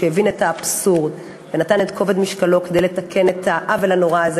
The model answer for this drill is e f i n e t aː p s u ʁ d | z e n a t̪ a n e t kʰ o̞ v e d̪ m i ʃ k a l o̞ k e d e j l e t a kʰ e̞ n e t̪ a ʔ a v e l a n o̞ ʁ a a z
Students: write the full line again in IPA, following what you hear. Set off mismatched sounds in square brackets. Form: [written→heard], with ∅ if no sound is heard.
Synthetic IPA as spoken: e [f→v] i n e t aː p s u ʁ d | [z→v] e n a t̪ a n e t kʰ o̞ v e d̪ m i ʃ k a l o̞ k e d e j l e t a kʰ e̞ n e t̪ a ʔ a v e l a n o̞ ʁ a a z